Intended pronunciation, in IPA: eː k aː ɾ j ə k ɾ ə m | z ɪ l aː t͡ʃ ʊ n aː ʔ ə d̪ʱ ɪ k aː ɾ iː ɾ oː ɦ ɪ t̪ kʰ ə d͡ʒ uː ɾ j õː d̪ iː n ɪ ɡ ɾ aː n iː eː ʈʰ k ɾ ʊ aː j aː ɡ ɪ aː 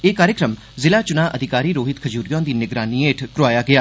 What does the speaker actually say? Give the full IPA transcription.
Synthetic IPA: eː k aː ɾ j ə k ɾ ə m | z ɪ l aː t͡ʃ ʊ n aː ʔ ə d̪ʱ ɪ k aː ɾ iː ɾ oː ɦ ɪ t̪ kʰ ə d͡ʒ uː ɾ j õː d̪ iː n ɪ ɡ ɾ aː n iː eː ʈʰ k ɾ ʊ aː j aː ɡ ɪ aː